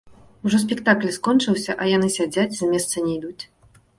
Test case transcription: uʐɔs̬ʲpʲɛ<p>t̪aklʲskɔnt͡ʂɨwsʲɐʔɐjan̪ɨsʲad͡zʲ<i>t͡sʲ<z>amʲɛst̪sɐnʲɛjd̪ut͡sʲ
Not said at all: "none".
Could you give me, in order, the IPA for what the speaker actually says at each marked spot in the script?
k, a, z

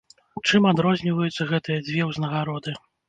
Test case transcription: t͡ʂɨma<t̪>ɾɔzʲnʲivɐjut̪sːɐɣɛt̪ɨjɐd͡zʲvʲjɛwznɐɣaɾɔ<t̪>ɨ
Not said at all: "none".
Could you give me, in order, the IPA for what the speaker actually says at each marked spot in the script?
d̪, d̪

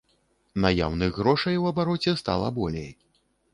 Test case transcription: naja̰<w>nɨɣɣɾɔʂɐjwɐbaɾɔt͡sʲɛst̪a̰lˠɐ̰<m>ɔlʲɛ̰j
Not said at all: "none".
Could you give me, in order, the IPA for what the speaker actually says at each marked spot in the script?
w, b

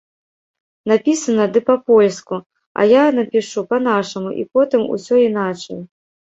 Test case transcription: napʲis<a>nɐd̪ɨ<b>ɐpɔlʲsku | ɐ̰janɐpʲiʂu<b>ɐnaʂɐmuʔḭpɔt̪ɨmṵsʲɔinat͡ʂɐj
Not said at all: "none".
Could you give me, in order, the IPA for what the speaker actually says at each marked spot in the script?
ɐ, p, p

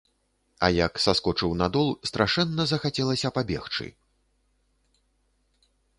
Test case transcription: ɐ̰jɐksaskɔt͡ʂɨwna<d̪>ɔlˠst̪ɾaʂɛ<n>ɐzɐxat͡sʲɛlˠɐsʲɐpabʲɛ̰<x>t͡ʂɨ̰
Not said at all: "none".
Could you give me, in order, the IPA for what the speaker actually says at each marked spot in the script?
d̪, nː, x

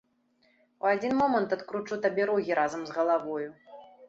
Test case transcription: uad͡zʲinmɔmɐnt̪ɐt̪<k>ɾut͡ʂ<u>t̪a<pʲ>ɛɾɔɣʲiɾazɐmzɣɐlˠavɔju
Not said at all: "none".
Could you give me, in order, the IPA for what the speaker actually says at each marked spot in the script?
k, u, bʲ

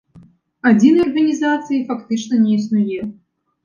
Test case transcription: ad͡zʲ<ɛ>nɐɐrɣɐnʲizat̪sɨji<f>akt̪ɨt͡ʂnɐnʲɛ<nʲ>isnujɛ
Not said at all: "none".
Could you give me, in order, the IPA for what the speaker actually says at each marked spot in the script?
i, f, none

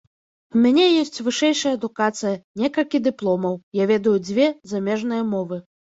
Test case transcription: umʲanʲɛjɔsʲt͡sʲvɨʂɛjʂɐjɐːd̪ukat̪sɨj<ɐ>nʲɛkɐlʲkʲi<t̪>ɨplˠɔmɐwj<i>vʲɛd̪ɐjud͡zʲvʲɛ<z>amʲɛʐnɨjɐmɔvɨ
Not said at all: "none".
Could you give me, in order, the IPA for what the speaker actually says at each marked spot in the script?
ɐ, d̪, a, z

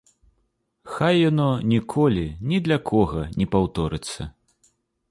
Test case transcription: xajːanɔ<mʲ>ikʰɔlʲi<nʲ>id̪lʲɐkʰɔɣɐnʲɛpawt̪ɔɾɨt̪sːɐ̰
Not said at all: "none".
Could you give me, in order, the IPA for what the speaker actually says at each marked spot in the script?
nʲ, nʲ

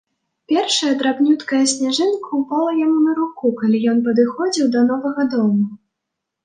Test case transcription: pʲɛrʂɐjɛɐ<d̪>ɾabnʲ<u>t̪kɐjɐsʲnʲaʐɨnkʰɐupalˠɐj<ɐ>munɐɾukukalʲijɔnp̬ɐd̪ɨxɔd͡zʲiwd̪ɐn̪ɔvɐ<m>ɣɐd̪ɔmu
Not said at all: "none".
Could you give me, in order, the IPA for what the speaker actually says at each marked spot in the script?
d̪, u, a, none

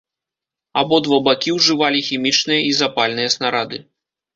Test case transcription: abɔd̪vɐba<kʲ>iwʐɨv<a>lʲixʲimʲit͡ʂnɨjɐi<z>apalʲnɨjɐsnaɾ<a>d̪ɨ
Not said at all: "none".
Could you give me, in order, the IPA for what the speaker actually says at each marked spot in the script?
kʲ, a, z, a

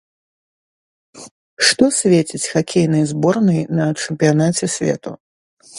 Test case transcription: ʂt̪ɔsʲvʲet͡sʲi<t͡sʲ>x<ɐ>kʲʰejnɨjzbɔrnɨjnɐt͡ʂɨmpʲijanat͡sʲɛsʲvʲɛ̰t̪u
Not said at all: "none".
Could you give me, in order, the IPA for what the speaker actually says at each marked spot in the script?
t͡sʲ, a

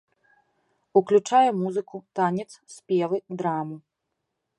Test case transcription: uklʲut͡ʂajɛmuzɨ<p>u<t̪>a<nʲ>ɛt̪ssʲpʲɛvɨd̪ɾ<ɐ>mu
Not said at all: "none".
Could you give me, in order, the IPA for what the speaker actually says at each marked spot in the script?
k, t̪, nʲ, a

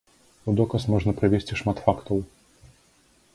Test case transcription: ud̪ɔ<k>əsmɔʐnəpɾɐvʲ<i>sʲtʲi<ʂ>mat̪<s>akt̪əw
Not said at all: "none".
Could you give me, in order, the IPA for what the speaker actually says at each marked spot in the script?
k, e, ʂ, f

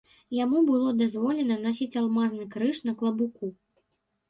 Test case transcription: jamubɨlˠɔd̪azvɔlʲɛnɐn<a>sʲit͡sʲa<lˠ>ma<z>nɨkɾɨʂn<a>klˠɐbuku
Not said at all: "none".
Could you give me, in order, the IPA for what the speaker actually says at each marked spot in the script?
a, lˠ, z, ɐ

